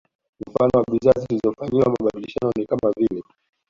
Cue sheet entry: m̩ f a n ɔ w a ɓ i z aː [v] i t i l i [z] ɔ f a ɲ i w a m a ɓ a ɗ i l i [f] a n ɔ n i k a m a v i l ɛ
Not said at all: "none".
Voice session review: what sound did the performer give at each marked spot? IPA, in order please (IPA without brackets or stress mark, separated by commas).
z, z, ʃ